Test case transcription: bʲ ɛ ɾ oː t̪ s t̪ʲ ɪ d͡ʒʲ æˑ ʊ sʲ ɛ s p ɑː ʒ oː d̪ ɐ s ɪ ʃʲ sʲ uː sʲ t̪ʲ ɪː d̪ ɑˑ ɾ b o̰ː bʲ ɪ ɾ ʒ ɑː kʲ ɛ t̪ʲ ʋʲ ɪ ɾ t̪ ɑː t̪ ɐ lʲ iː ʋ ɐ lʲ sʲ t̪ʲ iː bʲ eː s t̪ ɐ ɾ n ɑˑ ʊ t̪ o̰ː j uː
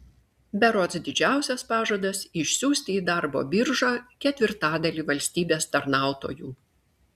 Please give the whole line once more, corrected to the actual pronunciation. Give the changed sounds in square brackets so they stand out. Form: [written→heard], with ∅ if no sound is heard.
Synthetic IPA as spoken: bʲ ɛ ɾ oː t̪ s [t̪ʲ→d̪ʲ] ɪ d͡ʒʲ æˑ ʊ sʲ ɛ s p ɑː ʒ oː d̪ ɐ s ɪ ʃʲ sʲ uː sʲ t̪ʲ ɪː d̪ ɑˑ ɾ b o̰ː bʲ ɪ ɾ ʒ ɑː kʲ ɛ t̪ʲ ʋʲ ɪ ɾ t̪ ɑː [t̪→d̪] ɐ lʲ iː ʋ ɐ lʲ sʲ t̪ʲ iː bʲ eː s t̪ ɐ ɾ n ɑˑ ʊ t̪ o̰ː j uː